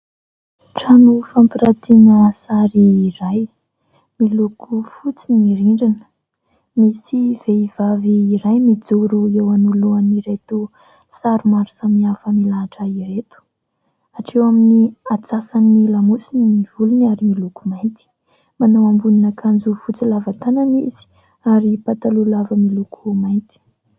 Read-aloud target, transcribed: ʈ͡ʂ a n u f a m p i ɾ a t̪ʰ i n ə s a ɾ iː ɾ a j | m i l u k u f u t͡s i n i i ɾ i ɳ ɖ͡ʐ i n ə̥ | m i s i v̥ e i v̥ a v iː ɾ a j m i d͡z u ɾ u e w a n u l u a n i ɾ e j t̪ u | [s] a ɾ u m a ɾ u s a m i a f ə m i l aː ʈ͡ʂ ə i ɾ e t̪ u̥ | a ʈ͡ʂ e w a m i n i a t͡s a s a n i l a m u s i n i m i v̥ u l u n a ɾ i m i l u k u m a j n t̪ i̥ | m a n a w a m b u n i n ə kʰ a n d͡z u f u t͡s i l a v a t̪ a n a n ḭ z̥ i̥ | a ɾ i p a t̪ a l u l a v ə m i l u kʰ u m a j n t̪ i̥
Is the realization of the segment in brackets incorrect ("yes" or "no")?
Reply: no